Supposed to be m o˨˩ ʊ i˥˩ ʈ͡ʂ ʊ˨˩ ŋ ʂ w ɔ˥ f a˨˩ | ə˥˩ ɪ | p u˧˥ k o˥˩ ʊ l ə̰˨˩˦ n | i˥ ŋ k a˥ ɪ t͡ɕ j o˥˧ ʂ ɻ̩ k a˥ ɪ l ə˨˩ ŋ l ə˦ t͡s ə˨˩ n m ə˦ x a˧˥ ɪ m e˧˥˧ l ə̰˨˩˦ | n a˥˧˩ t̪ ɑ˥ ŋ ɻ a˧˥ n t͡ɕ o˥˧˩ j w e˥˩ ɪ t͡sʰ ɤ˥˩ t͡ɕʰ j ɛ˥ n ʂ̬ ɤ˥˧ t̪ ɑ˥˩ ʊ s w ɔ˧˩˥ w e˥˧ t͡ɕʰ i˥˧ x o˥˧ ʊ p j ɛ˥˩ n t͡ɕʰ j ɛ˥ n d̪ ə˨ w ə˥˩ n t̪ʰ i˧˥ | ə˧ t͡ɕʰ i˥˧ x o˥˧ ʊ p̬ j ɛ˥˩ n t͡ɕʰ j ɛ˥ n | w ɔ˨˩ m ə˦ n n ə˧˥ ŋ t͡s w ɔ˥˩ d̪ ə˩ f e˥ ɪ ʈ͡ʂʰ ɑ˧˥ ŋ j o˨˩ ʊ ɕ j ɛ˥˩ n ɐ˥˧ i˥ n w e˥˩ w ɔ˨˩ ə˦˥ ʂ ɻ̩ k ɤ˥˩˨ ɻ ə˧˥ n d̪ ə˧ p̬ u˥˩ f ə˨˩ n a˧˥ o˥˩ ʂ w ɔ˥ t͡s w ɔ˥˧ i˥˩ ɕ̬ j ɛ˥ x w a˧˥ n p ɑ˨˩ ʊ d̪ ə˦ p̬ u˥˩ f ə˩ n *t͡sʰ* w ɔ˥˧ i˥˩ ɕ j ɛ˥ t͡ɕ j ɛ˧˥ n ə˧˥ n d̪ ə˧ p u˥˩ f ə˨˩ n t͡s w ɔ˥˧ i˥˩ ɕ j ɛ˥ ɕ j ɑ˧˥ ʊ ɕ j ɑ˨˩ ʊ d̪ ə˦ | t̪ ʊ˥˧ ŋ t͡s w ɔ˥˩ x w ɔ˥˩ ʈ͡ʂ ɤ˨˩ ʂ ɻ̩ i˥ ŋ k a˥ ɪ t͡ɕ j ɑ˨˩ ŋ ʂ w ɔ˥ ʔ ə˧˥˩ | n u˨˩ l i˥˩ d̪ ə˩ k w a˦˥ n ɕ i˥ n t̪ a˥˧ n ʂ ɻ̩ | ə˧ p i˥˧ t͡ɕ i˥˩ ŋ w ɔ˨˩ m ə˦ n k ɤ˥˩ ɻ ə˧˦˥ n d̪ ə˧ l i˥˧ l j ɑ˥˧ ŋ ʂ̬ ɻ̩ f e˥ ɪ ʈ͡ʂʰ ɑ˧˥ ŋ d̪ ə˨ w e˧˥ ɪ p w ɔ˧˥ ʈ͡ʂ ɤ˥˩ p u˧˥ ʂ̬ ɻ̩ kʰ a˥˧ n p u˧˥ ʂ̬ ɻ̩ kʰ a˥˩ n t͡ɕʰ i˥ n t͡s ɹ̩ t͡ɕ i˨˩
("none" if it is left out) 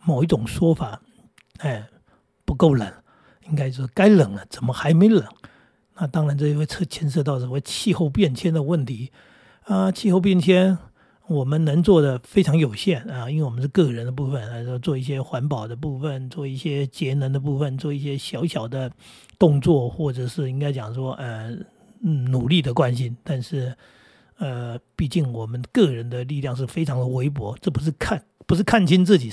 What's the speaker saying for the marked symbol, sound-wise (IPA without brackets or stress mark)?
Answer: t͡s